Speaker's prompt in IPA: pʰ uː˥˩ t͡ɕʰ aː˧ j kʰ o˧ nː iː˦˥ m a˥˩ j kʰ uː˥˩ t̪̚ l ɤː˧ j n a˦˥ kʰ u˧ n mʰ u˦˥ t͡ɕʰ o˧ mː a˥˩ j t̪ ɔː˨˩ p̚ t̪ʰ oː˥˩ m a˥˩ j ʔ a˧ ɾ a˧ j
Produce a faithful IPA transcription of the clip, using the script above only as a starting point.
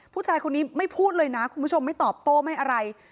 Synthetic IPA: pʰ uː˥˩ t͡ɕʰ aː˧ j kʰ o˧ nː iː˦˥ m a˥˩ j pʰ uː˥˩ t̪̚ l ɤː˧ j n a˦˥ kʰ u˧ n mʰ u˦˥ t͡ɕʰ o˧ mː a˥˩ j t̪ ɔː˨˩ p̚ t̪ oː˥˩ m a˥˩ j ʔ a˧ ɾ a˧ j